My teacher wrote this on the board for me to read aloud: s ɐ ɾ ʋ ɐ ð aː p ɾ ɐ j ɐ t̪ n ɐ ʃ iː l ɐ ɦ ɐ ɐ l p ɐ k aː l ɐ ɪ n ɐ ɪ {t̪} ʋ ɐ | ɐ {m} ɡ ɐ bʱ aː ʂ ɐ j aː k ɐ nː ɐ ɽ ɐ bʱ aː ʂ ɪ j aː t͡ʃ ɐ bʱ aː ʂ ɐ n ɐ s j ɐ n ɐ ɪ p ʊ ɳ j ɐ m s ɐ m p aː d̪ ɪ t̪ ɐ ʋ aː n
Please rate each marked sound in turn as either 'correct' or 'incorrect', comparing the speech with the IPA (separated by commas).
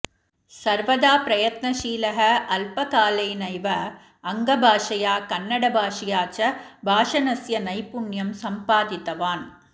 incorrect, incorrect